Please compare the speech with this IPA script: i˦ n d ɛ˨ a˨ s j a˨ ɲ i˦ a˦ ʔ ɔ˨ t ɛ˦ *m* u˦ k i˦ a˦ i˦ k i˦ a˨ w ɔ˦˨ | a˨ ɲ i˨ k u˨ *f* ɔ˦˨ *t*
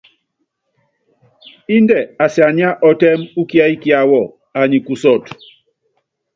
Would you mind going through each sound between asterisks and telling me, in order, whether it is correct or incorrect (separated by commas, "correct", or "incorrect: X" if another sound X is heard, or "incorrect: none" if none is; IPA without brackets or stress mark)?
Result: correct, incorrect: s, correct